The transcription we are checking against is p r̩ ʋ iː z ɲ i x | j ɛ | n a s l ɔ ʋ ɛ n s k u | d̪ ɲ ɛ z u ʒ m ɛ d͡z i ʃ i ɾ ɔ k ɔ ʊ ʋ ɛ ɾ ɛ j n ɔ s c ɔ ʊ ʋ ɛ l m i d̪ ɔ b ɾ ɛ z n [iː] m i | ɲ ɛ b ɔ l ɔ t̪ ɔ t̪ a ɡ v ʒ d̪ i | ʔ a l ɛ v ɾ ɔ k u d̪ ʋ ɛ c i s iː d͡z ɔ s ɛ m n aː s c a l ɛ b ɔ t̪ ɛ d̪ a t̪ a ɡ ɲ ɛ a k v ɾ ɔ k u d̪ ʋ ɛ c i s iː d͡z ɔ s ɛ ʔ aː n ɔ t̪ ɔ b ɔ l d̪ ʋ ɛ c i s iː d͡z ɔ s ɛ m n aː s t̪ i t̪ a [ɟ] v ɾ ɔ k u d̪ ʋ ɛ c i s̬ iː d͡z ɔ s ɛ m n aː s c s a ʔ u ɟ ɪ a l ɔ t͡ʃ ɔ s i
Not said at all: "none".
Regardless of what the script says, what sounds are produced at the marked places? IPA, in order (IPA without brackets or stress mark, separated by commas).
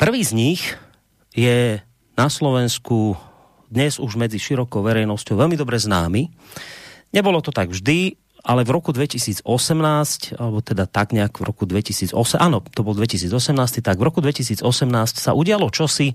aː, ɡ